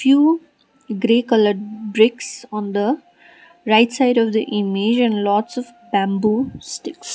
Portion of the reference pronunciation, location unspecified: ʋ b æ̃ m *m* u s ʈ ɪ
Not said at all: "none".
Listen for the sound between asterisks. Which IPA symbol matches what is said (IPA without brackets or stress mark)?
b